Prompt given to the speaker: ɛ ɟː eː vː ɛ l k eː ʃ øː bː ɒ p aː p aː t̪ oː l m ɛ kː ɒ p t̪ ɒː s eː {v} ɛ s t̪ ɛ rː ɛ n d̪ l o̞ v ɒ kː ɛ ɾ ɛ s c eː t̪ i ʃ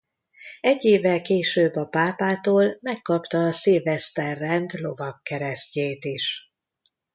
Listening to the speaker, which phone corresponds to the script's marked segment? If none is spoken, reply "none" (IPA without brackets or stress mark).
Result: v